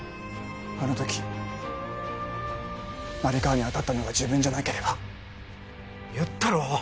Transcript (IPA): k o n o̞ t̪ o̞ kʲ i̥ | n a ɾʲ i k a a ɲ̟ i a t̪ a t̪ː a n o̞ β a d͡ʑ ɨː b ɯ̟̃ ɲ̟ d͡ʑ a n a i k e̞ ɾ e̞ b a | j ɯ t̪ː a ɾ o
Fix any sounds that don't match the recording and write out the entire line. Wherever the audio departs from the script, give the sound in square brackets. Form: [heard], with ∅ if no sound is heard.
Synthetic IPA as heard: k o n o̞ t̪ o̞ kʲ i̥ | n a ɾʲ i k a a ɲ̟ i a t̪ a t̪ː a n o̞ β a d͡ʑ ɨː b ɯ̟̃ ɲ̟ d͡ʑ a n a i k e̞ ɾ e̞ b a | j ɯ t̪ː a ɾ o